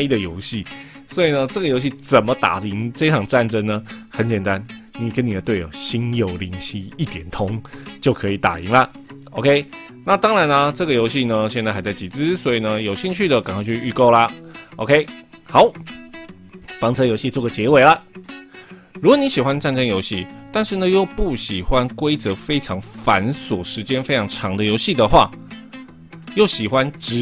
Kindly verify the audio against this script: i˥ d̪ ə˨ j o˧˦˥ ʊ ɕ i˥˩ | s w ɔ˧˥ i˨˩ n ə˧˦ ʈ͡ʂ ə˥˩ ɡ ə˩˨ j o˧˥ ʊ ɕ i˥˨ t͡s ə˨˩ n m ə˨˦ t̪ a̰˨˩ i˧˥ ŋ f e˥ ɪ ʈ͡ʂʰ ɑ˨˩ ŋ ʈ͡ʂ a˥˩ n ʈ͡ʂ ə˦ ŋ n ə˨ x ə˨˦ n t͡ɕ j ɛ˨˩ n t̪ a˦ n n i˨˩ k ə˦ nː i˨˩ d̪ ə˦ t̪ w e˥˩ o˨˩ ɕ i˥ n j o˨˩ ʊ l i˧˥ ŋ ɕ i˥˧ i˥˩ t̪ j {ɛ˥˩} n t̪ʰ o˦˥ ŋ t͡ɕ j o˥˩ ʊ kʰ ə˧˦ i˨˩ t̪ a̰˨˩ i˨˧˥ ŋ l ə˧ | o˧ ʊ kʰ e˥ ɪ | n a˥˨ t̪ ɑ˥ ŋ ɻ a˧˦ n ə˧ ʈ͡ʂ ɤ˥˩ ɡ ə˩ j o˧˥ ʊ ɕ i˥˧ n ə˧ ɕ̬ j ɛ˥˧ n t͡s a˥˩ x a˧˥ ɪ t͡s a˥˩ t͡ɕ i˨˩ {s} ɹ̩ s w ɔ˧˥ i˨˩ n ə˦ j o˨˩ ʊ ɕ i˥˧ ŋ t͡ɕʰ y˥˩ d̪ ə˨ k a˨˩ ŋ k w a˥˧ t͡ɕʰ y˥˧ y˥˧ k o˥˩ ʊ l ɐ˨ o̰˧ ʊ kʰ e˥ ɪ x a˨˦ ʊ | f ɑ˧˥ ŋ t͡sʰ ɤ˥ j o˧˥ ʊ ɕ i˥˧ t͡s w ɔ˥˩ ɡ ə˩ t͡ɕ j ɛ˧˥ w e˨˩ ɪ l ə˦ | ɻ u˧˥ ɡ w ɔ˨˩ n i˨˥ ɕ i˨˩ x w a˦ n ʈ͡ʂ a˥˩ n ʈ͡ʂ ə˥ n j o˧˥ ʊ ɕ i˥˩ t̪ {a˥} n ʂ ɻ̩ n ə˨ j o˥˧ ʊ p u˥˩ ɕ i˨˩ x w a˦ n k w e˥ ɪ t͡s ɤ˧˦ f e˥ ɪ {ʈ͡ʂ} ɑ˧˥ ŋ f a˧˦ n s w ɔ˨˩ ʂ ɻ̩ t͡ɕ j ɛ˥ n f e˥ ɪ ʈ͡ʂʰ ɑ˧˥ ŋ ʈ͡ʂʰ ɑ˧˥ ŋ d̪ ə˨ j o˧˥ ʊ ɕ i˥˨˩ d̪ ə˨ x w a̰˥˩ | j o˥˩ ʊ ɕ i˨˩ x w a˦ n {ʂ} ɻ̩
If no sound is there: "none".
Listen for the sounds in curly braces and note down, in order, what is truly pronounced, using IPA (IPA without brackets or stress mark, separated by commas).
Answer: ɛ˨˩, t͡s, a˥˧, ʈ͡ʂʰ, ʈ͡ʂ